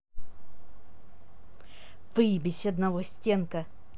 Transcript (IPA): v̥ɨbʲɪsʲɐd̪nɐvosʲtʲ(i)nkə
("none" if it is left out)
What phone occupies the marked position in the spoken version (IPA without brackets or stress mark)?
e